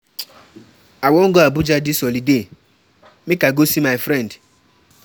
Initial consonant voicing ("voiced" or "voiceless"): voiced